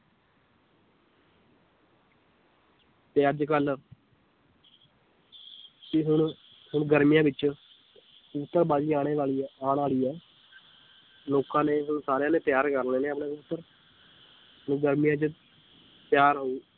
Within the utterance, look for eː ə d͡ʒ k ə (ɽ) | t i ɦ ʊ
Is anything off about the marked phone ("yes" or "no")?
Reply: yes